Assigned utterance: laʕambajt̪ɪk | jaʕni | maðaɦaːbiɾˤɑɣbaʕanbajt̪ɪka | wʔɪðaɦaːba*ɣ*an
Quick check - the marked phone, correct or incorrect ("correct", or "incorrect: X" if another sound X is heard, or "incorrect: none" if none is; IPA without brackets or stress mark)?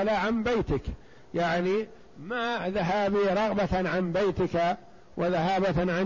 incorrect: ʕ